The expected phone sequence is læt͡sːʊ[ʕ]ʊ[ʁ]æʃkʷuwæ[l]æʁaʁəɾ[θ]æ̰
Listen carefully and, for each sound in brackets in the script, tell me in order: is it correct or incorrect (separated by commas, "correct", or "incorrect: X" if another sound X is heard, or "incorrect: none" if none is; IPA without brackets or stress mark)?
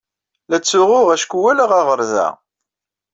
incorrect: ʁ, correct, correct, incorrect: ð